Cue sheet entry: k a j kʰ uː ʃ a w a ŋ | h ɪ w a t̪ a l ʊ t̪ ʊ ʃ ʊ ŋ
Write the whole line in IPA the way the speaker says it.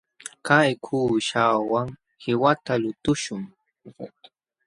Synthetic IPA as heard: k a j kʰ uː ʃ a w a ŋ | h ɪ w a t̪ a l ʊ t̪ ʊ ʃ ʊ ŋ